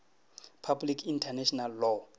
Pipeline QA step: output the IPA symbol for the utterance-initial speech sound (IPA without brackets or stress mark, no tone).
pʰ